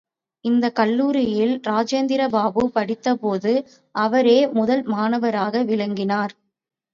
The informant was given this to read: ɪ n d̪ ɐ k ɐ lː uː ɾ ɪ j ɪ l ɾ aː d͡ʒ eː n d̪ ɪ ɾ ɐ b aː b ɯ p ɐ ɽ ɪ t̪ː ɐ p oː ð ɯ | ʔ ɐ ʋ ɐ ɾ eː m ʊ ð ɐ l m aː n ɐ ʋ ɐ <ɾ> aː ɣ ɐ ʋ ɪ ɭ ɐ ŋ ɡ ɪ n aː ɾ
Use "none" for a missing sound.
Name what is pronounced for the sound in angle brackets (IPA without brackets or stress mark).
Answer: ɾ